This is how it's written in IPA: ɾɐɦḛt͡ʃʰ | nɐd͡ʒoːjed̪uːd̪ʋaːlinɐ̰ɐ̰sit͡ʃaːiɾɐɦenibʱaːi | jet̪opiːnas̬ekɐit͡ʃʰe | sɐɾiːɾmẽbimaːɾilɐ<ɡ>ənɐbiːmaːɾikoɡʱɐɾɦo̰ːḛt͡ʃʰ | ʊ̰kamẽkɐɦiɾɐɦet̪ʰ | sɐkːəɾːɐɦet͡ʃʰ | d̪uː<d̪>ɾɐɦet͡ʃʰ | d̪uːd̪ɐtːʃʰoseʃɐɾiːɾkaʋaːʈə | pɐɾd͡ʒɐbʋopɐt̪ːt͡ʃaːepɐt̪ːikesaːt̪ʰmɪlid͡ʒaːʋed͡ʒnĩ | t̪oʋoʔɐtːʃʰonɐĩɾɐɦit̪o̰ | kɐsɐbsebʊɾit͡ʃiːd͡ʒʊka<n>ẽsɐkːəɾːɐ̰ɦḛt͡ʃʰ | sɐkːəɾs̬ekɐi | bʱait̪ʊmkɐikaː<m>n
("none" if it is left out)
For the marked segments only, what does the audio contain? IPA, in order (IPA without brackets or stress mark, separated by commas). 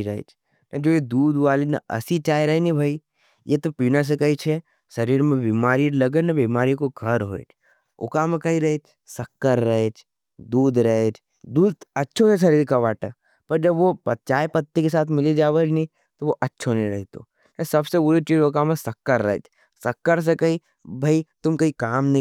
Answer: ɡ, d̪, m, m